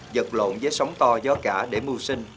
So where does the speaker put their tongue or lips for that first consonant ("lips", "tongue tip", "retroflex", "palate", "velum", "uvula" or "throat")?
tongue tip